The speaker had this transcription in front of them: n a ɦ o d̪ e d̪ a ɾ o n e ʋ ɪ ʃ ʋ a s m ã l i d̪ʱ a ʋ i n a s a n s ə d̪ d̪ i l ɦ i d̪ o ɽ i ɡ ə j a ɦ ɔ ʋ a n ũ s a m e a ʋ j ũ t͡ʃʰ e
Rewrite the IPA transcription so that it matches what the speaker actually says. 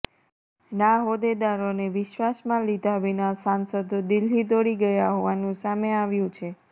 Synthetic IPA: n a ɦ o d̪ e d̪ a ɾ o n e ʋ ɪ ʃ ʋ a s m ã l i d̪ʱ a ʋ i n a s a n s ə d̪ d̪ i l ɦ i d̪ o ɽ i ɡ ə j a ɦ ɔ ʋ a n ũ s a m e a ʋ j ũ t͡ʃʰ e